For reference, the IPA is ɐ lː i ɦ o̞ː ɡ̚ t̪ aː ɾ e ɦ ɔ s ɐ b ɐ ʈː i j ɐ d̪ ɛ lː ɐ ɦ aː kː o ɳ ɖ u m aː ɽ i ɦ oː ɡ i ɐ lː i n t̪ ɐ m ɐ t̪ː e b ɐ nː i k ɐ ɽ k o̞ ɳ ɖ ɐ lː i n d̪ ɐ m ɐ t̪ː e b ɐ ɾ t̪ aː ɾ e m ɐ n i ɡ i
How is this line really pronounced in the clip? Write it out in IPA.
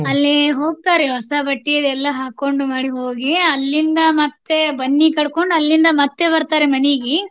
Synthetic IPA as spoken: ɐ lː i ɦ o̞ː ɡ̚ t̪ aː ɾ e ɦ ɔ s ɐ b ɐ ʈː i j ɐ d̪ ɛ lː ɐ ɦ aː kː o ɳ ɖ u m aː ɽ i ɦ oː ɡ i ɐ lː i n d̪ ɐ m ɐ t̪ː e b ɐ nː i k ɐ ɽ k o̞ ɳ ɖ ɐ lː i n d̪ ɐ m ɐ t̪ː e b ɐ ɾ t̪ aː ɾ e m ɐ n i ɡ i